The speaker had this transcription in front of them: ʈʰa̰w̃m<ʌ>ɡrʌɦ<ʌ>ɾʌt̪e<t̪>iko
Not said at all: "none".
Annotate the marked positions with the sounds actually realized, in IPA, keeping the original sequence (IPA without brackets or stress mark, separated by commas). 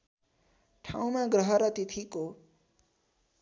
a, ʌ, t̪ʰ